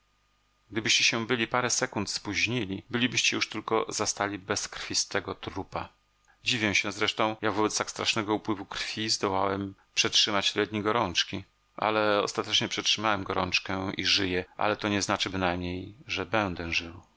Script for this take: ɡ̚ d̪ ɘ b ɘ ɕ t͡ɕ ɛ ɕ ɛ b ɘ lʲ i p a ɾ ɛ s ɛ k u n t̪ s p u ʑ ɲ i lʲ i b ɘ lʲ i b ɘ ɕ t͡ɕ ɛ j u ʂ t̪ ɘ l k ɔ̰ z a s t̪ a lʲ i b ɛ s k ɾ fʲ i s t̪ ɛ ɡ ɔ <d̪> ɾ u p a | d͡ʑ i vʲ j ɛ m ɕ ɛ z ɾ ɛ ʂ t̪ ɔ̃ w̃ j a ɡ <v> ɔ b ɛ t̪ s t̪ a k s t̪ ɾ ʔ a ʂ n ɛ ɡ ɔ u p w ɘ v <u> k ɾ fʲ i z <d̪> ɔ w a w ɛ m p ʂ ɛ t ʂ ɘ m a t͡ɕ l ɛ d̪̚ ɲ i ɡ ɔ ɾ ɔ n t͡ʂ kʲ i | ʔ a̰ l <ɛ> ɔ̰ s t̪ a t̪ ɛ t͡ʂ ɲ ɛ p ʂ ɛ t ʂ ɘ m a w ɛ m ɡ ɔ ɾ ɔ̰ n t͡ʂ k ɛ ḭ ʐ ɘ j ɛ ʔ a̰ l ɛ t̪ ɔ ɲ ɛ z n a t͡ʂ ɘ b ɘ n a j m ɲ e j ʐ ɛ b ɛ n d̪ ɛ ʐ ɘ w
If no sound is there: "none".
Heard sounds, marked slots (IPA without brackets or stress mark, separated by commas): t̪, v, u, d̪, ɛ